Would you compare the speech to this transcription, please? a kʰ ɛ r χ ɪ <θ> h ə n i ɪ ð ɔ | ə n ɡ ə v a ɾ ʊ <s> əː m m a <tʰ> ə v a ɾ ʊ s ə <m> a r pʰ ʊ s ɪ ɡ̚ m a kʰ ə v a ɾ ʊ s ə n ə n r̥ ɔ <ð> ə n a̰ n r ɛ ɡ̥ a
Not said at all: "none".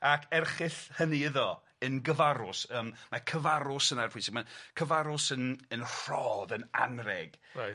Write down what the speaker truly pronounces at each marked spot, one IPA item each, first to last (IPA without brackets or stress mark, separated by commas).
θ, s, kʰ, n, ð